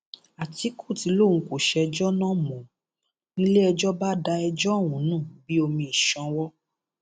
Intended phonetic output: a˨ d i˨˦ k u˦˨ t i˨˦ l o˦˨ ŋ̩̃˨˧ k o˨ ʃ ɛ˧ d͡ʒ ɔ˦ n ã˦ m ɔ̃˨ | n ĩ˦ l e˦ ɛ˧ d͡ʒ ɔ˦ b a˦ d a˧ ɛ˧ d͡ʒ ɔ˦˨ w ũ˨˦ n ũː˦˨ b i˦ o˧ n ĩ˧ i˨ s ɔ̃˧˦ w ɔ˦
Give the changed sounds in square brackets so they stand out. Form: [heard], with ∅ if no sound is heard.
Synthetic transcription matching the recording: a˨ [t] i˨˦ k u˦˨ t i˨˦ l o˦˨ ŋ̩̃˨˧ k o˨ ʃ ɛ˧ d͡ʒ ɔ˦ n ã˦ m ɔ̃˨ | n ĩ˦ l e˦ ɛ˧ d͡ʒ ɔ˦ b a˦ d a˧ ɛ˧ d͡ʒ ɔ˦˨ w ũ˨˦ n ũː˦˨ b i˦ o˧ [m] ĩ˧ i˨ [ʃ] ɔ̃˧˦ w ɔ˦